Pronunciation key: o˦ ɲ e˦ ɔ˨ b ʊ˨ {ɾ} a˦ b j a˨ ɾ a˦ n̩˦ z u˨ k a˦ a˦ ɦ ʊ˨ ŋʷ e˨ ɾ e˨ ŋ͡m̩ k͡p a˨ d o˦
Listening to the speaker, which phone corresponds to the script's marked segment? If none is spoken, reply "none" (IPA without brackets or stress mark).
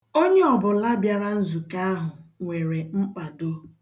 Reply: l